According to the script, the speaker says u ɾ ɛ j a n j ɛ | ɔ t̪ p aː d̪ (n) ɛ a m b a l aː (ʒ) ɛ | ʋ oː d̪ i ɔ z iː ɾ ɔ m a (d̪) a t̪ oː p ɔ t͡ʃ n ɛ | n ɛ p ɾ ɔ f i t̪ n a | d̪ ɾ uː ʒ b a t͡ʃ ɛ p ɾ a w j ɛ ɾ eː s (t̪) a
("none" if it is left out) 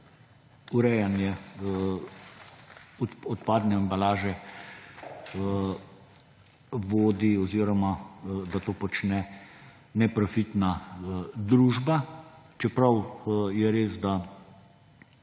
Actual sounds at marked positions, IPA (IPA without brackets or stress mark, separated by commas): n, ʒ, d̪, d̪